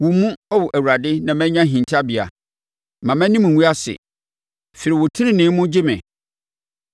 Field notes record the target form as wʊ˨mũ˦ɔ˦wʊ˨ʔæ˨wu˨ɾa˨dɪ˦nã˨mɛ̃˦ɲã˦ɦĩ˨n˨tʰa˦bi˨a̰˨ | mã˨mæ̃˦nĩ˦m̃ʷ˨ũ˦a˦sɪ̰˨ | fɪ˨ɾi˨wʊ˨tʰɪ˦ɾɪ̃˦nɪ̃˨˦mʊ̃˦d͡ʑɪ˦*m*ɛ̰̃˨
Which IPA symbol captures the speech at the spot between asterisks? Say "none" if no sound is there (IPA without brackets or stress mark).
m